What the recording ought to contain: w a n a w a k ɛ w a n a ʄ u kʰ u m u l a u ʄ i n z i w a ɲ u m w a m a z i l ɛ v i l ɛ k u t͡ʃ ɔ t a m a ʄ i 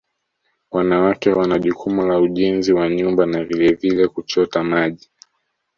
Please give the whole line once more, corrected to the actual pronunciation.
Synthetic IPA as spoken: w a n a w a k ɛ w a n a ʄ u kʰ u m u l a u ʄ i n z i w a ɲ u m b a n a v i l ɛ v i l ɛ k u t͡ʃ ɔ t a m a ʄ i